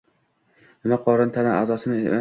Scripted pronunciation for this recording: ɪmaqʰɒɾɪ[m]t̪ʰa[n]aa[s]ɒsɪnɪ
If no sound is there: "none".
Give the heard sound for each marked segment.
n, n, z

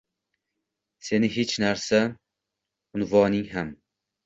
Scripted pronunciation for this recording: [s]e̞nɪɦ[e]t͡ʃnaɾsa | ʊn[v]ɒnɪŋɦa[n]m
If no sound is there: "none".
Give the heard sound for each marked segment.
s, e, v, none

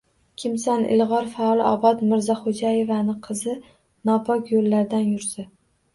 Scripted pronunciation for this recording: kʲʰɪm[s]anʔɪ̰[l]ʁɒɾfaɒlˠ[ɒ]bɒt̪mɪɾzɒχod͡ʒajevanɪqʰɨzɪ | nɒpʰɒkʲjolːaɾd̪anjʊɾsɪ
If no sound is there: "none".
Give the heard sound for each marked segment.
s, l, ɒ

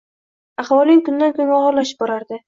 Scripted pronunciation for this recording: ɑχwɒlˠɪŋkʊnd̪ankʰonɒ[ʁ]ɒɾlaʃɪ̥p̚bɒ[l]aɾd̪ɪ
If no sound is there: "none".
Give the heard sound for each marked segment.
ʁ, ɾ

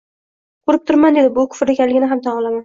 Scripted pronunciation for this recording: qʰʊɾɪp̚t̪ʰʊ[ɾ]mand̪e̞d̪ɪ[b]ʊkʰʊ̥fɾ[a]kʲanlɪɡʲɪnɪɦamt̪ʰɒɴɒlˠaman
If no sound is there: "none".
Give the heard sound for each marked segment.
ɾ, b, e

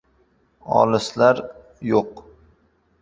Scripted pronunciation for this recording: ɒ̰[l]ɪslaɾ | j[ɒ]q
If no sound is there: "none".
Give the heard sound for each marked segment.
l, o

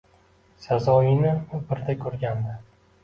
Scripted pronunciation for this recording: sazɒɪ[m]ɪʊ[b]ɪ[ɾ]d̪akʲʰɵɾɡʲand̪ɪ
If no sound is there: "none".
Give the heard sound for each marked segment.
n, b, ɾ

